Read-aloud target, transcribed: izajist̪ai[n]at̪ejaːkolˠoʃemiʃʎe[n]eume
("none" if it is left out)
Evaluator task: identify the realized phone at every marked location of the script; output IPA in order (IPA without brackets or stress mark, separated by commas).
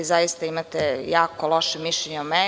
m, ɲ